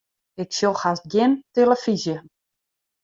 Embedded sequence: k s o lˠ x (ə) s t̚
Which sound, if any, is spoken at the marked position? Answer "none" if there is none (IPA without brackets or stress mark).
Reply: a